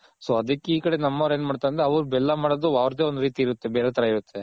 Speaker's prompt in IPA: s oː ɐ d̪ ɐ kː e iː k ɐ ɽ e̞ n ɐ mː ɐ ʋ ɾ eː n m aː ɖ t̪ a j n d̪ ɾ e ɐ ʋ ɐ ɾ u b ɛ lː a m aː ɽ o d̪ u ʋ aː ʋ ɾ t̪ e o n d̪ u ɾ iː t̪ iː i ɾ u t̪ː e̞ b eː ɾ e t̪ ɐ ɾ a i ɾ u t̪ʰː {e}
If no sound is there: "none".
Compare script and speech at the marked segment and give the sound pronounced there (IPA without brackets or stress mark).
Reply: e